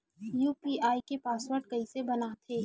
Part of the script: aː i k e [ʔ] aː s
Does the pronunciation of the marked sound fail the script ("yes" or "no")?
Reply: yes